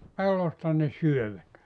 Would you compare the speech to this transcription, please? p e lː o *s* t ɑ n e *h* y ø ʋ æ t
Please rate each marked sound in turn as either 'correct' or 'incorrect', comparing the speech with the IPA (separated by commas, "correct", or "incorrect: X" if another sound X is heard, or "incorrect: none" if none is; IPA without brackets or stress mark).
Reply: correct, incorrect: s